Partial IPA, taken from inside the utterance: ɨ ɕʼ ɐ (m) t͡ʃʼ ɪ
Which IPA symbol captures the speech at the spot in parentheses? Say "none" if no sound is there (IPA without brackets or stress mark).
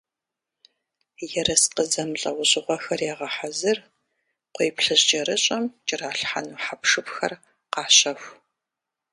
m